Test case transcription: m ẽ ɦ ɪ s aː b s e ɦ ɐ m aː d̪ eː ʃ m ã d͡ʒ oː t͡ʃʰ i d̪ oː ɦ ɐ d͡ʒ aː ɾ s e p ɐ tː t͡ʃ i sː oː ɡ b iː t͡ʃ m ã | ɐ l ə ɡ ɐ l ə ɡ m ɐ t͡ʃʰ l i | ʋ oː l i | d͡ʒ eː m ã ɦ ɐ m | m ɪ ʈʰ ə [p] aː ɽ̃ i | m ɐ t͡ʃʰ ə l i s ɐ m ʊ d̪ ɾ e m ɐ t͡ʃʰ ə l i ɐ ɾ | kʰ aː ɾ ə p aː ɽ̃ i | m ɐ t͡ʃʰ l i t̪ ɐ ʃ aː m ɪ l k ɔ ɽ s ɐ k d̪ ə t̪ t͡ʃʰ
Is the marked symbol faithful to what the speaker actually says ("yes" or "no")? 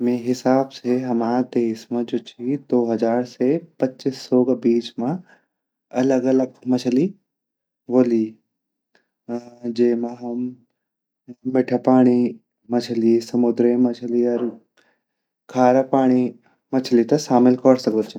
yes